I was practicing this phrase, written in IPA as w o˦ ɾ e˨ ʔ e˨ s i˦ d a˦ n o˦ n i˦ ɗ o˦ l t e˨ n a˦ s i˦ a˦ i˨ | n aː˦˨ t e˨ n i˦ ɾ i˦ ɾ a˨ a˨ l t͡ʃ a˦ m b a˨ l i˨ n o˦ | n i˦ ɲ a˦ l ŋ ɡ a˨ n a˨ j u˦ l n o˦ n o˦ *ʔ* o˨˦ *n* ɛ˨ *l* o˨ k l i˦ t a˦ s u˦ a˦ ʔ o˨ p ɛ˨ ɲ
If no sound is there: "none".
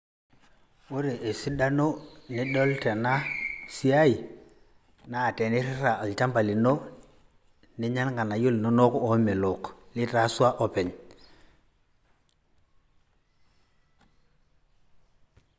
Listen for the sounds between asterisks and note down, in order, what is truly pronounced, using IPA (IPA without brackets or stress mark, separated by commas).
k, m, l